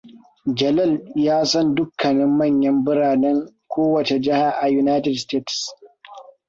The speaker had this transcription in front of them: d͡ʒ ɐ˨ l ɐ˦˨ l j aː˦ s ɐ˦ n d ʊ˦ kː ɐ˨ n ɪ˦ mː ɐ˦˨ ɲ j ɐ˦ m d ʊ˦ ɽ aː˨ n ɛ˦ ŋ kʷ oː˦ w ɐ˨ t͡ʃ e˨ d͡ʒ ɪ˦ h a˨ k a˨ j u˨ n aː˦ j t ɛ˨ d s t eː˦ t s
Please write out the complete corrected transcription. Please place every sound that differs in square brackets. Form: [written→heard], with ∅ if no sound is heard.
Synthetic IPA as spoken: d͡ʒ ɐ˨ l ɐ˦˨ l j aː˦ s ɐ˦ n d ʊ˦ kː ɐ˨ n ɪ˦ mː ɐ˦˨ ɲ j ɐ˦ m [d→b] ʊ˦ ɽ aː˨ n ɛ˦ ŋ kʷ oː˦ w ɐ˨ t͡ʃ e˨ d͡ʒ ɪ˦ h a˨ [k→ʔ] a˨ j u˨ n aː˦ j t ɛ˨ d s t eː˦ t s